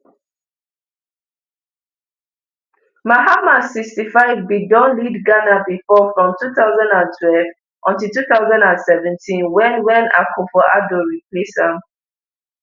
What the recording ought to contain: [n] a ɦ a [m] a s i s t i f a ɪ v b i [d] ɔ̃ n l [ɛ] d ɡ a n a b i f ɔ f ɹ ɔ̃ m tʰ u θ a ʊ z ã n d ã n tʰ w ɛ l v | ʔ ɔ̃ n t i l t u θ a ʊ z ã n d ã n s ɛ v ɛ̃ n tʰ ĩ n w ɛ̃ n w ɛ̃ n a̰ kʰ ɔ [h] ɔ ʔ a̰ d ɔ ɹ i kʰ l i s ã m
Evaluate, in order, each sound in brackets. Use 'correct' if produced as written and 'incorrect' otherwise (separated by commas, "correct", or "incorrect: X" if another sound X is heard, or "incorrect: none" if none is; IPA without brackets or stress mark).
incorrect: m, correct, correct, incorrect: i, incorrect: f